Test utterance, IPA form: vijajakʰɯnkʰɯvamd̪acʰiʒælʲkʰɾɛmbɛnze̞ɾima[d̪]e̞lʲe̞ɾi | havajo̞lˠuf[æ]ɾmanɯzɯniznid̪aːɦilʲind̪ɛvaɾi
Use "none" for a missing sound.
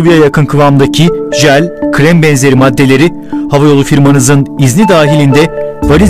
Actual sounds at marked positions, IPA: d̪ː, i

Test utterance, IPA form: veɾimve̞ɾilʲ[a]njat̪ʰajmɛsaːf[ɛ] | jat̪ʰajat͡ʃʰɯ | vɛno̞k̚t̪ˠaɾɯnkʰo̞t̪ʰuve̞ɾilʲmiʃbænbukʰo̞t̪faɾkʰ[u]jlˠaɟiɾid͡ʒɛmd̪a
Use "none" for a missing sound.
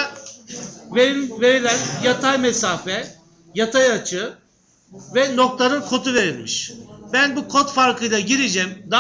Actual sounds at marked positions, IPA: æ, ɛ, ɯ

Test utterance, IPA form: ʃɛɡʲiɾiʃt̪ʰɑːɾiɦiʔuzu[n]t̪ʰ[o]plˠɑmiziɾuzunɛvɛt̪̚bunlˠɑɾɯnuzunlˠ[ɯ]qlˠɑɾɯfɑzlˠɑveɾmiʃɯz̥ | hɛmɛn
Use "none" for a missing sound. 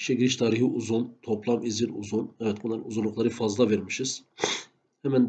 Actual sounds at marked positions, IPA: n, o, u

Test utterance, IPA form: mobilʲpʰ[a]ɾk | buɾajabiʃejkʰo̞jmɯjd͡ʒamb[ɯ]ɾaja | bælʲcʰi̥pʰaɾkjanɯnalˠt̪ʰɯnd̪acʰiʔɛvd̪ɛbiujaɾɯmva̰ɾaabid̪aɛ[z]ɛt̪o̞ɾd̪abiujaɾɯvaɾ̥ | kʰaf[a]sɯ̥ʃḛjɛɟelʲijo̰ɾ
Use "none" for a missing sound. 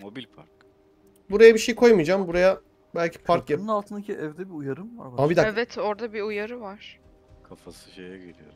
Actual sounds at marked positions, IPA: a, u, v, a

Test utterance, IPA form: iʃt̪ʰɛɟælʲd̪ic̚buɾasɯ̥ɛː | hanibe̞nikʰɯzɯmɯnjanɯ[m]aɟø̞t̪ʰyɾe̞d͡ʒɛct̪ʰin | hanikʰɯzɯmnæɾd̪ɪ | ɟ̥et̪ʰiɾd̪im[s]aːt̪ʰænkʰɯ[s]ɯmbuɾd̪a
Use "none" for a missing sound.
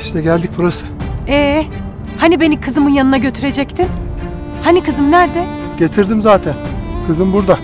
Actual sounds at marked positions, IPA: n, z, z

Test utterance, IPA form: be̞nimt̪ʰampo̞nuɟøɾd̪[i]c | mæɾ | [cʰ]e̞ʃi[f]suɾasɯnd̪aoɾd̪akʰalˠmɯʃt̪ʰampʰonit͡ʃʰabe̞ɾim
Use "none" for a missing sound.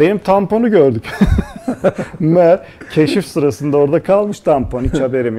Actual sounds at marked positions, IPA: y, cʰ, f

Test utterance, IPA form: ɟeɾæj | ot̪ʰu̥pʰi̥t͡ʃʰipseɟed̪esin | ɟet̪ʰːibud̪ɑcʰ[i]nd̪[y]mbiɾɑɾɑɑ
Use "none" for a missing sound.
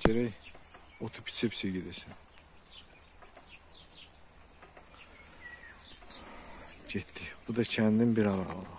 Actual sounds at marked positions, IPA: æ, i

